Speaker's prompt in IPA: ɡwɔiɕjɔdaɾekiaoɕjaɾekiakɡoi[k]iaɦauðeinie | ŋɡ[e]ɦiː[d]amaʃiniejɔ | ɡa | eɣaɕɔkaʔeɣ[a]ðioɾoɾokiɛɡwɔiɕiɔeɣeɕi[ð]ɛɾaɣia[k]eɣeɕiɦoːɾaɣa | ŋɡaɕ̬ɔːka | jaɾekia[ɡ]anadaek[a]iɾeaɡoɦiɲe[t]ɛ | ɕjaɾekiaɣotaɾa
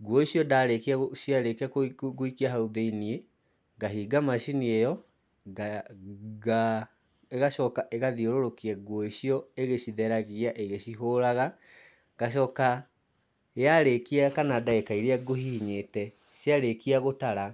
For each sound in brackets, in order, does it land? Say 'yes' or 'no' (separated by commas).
yes, no, no, yes, yes, no, no, yes, yes